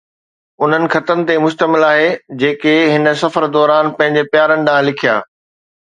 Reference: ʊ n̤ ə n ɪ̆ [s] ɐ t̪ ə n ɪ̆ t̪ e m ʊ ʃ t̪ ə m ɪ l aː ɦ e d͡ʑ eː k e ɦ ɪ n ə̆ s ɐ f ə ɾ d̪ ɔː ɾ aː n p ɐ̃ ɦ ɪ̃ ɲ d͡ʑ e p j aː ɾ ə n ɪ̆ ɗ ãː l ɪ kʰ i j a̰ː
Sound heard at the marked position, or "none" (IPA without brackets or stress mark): x